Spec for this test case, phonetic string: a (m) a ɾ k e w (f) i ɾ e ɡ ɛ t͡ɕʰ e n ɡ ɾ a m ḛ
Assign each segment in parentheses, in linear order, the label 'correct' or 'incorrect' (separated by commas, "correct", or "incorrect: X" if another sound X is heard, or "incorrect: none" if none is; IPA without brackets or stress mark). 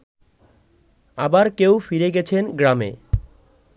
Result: incorrect: b, correct